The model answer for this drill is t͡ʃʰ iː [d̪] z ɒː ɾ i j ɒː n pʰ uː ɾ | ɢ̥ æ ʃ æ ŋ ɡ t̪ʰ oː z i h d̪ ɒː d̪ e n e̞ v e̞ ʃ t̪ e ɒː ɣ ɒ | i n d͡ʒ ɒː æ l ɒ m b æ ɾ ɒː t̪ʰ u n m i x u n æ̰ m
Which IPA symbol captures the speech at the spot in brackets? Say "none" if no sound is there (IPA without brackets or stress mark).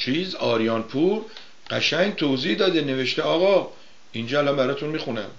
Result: none